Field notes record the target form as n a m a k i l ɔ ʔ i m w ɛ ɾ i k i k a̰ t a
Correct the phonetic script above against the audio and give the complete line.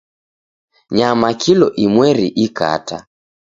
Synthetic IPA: ɲ a m a k i l ɔ ʔ i m w ɛ ɾ i ʔ i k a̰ t a